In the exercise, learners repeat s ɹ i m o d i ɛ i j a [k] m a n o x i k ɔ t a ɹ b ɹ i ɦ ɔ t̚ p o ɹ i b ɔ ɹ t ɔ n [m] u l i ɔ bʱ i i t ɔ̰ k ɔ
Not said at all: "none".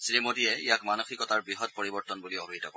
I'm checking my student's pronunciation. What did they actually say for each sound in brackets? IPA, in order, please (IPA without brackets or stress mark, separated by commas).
k, b